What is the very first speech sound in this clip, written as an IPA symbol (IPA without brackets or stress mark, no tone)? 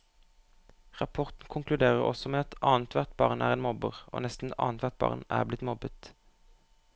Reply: ʁ